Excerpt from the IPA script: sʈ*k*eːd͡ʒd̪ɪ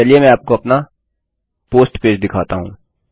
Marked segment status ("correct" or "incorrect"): incorrect